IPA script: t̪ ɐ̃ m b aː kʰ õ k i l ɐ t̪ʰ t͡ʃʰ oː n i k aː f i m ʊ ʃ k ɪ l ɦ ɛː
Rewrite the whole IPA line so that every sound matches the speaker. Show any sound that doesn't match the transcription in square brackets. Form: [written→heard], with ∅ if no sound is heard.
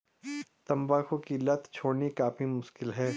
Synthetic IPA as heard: t̪ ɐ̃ m b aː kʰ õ k i l ɐ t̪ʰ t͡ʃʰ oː n i k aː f i m ʊ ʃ k ɪ l ɦ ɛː